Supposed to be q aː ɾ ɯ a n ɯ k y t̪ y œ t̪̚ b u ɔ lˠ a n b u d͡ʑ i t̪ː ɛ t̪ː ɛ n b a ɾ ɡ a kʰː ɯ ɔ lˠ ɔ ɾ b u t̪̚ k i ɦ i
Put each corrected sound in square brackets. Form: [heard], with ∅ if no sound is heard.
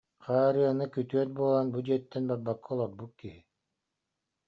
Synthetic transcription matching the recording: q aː ɾ ɯ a n ɯ k y t̪ y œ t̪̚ b u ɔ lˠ a n b u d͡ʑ i [∅] ɛ t̪ː ɛ n b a ɾ [b] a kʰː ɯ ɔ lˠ ɔ ɾ b u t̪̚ k i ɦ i